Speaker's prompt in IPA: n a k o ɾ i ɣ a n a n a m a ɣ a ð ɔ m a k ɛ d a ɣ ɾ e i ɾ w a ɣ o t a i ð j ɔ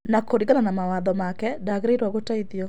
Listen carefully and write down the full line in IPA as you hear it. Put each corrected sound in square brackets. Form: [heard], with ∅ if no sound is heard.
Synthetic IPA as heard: n a k o ɾ i ɣ a n a n a m a [w] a ð ɔ m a k ɛ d a ɣ ɾ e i ɾ w a ɣ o t a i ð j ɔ